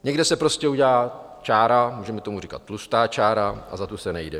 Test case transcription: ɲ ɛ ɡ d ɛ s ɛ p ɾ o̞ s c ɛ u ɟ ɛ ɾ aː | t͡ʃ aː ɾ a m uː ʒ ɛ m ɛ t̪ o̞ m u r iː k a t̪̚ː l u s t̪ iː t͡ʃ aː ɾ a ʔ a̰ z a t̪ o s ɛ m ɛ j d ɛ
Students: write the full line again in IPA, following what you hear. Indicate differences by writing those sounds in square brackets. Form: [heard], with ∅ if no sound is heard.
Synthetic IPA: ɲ ɛ ɡ d ɛ s ɛ p ɾ o̞ s c ɛ u ɟ ɛ [l] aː | t͡ʃ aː ɾ a m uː ʒ ɛ m ɛ t̪ o̞ m u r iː k a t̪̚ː l u s t̪ [aː] t͡ʃ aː ɾ a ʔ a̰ z a t̪ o s ɛ [n] ɛ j d ɛ